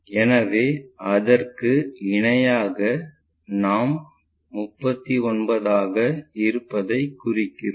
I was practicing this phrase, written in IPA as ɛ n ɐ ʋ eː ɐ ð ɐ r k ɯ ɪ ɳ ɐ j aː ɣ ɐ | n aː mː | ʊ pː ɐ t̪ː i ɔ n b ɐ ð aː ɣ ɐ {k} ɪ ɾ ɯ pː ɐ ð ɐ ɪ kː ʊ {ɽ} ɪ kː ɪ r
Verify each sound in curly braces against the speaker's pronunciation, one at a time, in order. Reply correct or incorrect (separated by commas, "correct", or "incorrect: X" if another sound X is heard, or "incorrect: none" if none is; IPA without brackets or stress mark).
incorrect: none, incorrect: r